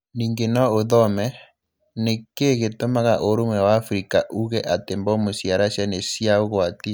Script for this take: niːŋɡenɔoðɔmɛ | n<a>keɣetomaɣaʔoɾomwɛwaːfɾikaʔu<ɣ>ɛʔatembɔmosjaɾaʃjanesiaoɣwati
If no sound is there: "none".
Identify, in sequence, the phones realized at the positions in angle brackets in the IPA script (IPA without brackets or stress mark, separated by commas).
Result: e, ɣ